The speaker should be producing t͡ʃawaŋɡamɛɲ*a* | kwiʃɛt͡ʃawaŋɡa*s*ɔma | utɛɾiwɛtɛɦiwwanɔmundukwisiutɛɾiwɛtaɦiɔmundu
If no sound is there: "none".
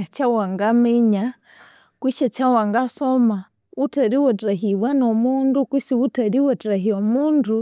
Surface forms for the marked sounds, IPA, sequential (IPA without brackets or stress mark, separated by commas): a, s